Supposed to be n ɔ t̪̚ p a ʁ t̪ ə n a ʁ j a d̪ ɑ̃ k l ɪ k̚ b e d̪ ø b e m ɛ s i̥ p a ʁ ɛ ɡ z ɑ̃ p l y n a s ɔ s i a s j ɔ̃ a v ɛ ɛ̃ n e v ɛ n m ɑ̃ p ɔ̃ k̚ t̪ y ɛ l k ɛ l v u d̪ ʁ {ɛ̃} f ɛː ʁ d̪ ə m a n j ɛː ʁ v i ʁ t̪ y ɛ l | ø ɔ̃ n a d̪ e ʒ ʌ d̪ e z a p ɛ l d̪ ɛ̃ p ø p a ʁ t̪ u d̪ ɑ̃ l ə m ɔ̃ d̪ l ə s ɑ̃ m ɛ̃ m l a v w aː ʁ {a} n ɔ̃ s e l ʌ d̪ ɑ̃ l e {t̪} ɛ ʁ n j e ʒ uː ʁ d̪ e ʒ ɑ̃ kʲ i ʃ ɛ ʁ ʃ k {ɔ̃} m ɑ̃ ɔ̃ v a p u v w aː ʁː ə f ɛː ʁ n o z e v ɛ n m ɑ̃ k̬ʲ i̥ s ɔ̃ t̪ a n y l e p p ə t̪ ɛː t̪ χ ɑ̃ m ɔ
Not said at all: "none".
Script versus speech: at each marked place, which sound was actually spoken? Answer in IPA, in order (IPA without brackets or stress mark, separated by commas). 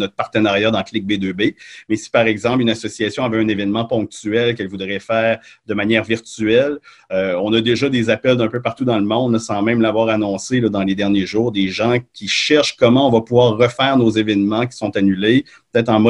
ɛ, a, d̪, ɔ